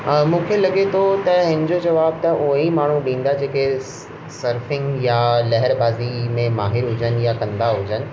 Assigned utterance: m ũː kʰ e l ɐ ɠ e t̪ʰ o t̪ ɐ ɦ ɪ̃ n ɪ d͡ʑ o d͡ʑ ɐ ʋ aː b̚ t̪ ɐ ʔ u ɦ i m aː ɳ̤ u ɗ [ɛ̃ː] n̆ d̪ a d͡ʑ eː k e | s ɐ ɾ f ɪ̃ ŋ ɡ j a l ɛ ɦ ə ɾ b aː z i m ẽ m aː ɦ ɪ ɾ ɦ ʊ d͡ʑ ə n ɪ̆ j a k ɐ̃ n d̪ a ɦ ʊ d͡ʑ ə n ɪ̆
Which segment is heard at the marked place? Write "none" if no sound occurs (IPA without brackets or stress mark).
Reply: ĩː